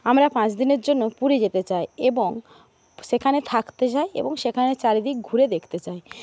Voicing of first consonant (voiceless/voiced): voiced